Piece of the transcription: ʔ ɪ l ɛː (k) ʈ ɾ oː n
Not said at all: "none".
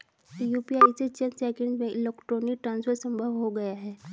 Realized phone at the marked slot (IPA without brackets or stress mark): k